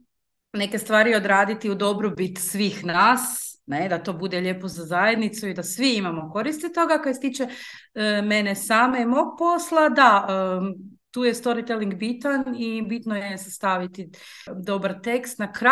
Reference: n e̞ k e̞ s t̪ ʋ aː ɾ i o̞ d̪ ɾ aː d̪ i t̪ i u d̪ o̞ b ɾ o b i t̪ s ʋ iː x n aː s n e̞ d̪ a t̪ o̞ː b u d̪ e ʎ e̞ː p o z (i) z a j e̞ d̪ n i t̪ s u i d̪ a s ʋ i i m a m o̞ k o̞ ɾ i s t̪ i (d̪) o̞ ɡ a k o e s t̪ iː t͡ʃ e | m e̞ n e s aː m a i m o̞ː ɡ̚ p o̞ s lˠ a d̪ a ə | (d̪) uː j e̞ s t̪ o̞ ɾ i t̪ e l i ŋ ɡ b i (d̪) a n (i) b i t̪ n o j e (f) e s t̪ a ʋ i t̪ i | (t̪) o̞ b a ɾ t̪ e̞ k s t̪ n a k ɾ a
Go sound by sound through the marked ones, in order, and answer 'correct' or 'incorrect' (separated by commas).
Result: incorrect, incorrect, incorrect, incorrect, correct, incorrect, incorrect